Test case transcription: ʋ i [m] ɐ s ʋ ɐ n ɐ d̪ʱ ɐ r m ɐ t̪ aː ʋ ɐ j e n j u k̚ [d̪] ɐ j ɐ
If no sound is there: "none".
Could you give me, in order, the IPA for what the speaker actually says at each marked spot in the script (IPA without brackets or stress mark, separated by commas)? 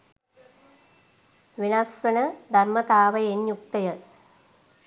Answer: n, t̪